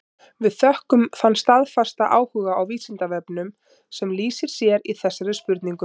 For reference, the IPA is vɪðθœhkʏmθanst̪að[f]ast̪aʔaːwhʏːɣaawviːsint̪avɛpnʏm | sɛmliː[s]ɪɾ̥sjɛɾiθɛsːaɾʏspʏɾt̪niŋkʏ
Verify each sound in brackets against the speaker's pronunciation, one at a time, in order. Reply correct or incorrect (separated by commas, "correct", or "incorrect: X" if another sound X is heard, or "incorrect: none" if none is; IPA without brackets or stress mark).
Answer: correct, correct